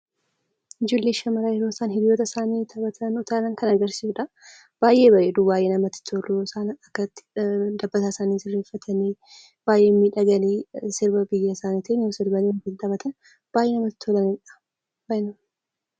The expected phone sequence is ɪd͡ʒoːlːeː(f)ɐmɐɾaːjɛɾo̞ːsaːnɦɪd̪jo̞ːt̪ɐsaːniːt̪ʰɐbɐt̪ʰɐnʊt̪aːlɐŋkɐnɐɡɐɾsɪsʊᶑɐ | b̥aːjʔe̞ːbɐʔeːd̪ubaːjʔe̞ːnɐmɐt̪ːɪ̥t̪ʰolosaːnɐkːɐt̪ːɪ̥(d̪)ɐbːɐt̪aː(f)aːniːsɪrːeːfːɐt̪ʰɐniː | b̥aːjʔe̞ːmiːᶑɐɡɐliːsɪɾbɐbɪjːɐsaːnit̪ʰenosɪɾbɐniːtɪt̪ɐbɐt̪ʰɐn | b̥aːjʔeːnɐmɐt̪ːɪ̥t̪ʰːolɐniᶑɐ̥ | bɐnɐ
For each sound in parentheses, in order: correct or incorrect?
incorrect, correct, incorrect

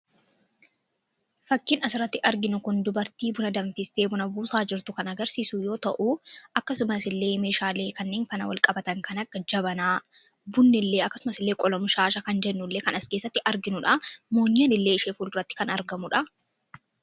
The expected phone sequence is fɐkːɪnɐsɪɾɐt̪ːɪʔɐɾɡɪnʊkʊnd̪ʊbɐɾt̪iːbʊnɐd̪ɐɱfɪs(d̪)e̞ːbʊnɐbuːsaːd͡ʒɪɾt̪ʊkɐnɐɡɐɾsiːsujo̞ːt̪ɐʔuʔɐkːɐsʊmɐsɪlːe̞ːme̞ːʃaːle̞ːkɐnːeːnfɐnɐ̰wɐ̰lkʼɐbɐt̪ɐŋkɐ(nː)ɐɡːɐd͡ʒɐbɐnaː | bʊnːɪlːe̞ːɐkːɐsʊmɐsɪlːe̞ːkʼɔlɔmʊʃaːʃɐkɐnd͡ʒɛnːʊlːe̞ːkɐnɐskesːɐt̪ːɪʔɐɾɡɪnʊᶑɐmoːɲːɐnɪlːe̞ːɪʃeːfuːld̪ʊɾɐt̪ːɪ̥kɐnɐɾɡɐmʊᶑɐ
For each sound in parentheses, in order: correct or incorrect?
incorrect, incorrect

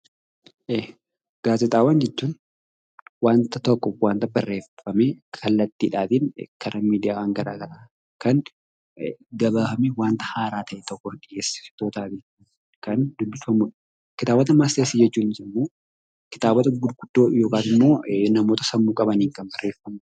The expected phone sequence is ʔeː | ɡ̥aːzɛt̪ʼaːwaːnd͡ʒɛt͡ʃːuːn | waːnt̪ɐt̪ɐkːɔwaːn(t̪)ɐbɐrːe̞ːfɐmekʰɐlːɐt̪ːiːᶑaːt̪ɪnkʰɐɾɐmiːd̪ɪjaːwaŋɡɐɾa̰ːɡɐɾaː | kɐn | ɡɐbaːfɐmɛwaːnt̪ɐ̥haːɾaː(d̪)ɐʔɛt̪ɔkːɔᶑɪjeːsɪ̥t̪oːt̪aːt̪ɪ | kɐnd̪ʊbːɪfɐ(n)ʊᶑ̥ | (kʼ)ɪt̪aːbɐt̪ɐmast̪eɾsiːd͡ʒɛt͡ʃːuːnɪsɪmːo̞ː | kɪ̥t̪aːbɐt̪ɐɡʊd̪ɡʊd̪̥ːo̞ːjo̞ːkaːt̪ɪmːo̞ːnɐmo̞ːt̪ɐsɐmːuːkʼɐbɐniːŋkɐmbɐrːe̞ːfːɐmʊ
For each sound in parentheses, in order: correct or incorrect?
correct, incorrect, incorrect, incorrect

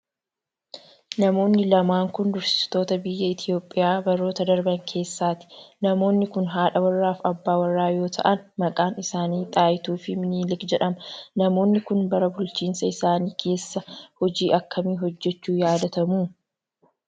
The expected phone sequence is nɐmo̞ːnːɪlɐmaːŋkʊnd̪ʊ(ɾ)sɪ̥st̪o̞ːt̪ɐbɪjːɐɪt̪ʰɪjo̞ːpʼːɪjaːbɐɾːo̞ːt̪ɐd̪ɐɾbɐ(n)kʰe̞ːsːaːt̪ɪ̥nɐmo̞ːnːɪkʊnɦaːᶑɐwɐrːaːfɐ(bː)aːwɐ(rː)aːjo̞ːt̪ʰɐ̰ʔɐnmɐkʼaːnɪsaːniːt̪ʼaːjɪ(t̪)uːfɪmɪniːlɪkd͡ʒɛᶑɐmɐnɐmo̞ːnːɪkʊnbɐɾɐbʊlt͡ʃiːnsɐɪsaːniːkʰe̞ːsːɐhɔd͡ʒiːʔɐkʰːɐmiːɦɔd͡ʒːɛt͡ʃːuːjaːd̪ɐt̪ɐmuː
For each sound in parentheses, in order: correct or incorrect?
correct, incorrect, correct, correct, correct

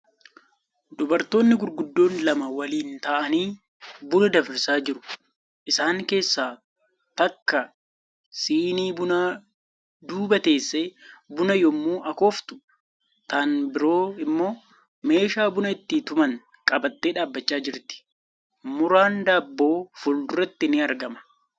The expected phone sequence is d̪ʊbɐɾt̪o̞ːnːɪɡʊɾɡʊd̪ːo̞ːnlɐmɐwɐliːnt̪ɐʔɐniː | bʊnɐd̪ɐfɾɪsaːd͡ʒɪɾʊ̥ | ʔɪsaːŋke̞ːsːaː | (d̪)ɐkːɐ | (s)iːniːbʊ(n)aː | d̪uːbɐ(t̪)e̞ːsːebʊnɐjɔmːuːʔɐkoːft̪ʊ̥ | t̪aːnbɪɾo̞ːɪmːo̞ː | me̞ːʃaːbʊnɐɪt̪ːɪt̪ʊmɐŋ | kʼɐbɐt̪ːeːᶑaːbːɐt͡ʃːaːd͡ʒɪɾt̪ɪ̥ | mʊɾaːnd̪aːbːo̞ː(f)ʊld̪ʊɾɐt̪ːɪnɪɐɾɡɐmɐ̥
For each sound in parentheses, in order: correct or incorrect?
incorrect, correct, correct, correct, correct

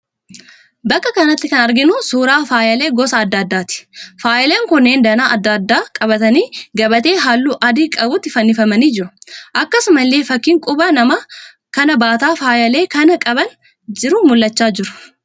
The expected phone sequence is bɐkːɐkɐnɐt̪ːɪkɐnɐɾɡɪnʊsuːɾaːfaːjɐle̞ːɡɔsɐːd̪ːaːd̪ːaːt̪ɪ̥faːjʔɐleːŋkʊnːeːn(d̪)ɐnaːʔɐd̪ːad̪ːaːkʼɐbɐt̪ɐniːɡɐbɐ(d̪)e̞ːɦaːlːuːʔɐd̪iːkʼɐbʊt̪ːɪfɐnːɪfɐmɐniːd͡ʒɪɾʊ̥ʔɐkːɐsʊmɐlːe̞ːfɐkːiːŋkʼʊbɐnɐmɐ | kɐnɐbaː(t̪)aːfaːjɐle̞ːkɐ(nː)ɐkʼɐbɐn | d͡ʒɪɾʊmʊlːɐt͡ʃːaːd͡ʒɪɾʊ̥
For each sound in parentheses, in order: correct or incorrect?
correct, incorrect, correct, incorrect

